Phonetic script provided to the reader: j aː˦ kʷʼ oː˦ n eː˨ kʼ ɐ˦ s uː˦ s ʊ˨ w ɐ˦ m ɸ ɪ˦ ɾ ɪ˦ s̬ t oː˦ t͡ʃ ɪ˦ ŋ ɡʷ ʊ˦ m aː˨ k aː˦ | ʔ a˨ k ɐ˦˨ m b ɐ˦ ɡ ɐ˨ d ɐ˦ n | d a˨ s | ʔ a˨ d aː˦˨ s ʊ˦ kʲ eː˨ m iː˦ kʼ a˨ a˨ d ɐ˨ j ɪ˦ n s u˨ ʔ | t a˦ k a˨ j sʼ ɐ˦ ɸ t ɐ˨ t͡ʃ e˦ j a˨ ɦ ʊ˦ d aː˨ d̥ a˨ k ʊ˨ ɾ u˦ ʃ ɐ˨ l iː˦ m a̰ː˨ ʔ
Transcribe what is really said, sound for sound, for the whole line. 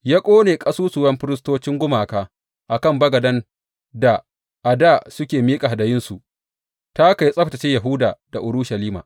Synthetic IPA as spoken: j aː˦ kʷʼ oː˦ n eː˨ kʼ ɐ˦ s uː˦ s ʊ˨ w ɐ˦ m ɸ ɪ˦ ɾ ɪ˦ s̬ t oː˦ t͡ʃ ɪ˦ ŋ ɡʷ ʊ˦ m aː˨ k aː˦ | ʔ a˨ k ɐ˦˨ m b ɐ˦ ɡ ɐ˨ d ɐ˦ n | d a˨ | ʔ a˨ d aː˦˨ s ʊ˦ kʲ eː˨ m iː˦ kʼ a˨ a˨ d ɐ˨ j ɪ˦ n s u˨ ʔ | t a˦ k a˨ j sʼ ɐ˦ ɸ t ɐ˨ t͡ʃ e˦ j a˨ ɦ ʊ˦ d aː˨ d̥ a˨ ʔ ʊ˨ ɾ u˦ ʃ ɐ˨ l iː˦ m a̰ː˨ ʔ

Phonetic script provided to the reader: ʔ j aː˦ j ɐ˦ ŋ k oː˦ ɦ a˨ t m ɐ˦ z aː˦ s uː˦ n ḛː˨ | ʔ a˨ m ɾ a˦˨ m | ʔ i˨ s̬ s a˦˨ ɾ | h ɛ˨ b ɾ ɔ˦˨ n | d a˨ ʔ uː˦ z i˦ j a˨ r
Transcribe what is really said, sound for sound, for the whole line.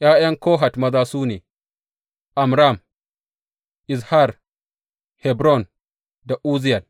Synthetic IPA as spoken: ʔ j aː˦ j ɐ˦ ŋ k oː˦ ɦ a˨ t m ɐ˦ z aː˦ s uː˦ n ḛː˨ | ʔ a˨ m ɾ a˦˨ m | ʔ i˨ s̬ h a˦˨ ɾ | h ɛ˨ b ɾ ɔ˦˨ n | d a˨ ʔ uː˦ z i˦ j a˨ l

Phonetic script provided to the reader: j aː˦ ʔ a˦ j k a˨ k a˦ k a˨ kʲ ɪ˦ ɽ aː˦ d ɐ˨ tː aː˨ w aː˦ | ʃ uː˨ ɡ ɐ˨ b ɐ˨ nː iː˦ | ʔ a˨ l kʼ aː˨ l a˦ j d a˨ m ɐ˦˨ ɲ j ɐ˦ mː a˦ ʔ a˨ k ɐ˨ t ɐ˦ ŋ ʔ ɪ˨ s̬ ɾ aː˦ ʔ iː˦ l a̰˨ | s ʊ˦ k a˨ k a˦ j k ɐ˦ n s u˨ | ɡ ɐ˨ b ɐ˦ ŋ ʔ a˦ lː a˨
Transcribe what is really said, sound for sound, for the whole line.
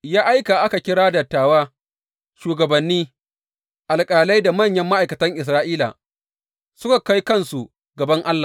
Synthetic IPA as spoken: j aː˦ ʔ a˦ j k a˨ ʔ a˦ k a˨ kʲ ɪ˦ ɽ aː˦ d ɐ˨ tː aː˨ w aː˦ | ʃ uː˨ ɡ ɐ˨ b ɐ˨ nː iː˦ | ʔ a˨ l kʼ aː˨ l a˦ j d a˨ m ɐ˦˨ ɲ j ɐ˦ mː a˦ ʔ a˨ k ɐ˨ t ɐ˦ ŋ ʔ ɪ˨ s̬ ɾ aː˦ ʔ iː˦ l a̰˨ | s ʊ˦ k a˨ k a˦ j k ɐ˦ n s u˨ | ɡ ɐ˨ b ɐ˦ ŋ ʔ a˦ lː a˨

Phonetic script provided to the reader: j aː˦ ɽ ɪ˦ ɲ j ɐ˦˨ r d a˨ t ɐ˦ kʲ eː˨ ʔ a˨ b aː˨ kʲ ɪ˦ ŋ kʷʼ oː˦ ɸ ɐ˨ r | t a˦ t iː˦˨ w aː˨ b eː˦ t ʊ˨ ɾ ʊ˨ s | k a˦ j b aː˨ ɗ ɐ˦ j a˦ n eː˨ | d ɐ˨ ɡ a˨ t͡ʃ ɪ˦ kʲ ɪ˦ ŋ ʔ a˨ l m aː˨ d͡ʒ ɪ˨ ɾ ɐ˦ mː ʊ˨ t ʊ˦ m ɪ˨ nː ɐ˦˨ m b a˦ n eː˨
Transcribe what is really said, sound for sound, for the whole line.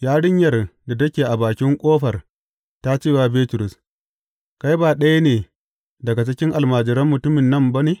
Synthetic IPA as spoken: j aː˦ ɽ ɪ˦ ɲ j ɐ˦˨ r d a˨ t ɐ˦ kʲ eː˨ ʔ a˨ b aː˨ kʲ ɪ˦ ŋ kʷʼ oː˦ ɸ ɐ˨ r | t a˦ t͡ʃ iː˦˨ w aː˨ b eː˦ t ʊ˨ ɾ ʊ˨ s | k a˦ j b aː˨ ɗ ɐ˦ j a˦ n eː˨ | d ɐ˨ ɡ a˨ t͡ʃ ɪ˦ kʲ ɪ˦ ŋ ʔ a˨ l m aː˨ d͡ʒ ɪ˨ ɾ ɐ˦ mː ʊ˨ t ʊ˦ m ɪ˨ nː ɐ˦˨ m b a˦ n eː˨

